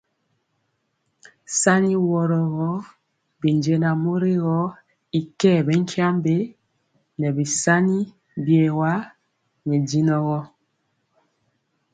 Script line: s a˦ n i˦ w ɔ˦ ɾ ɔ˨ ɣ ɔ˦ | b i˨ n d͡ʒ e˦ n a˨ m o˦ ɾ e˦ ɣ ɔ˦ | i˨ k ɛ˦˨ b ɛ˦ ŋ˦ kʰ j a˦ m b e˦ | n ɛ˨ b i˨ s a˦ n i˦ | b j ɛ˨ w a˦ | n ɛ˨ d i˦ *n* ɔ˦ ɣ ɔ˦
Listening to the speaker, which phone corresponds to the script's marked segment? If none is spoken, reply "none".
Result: n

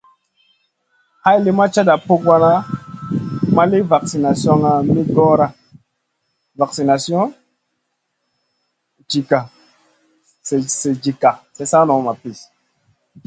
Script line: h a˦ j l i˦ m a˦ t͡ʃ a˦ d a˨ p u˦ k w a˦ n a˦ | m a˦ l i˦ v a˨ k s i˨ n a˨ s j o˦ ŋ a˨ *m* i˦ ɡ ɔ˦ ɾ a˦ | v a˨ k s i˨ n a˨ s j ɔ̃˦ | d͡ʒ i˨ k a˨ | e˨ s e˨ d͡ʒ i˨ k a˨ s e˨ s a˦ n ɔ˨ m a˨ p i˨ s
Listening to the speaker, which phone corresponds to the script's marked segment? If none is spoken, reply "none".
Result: m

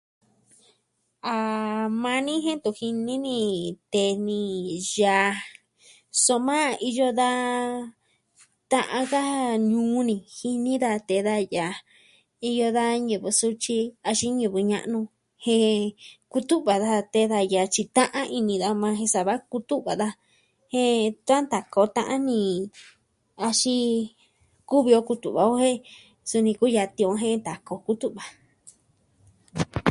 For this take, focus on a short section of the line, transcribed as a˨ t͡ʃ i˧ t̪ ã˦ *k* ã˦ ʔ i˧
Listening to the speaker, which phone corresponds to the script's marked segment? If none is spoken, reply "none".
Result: ʔ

